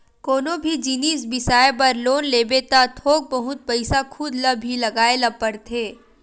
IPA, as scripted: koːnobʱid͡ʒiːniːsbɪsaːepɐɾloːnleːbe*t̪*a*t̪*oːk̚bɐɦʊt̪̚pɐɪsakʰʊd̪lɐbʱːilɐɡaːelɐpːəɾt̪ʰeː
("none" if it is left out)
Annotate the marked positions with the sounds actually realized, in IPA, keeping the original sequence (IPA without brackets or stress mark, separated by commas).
t̪, t̪ʰ